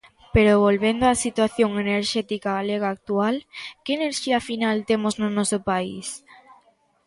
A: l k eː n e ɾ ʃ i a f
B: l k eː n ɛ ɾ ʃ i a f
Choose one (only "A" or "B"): A